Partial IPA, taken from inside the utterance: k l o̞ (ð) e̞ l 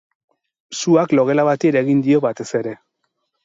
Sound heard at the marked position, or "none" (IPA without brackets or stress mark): ɣ